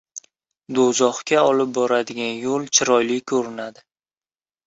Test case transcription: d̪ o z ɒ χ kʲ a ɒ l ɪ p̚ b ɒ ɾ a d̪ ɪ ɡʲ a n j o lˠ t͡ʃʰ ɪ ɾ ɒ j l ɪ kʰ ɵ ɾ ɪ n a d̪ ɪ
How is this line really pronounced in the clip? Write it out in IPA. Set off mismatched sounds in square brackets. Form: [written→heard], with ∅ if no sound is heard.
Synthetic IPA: d̪ o z ɒ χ kʲ a ɒ l ɪ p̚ b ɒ ɾ a d̪ ɪ ɡʲ a n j o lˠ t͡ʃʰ ɪ ɾ ɒ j l ɪ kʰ ɵ ɾ ɪ n a d̪ ɪ